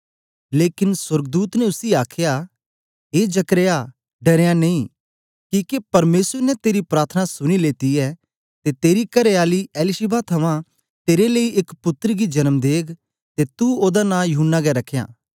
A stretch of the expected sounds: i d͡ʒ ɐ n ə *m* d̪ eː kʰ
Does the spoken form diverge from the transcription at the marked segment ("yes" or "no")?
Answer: no